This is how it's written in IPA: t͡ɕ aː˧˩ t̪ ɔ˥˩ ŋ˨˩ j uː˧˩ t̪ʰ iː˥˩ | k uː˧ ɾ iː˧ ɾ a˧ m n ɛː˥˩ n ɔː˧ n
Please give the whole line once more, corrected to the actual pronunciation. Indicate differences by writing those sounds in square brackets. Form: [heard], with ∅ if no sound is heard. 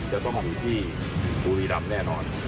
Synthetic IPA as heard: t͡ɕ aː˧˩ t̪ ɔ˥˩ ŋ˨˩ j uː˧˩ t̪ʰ iː˥˩ | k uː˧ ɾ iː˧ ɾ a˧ m n ɛː˥˩ n ɔː˧ n